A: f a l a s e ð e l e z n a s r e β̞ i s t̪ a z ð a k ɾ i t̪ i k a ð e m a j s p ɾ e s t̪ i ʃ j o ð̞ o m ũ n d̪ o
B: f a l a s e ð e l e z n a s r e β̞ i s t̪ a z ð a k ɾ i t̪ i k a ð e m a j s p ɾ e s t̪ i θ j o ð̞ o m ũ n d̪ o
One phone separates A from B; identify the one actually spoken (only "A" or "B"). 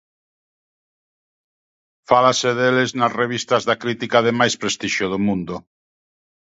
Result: A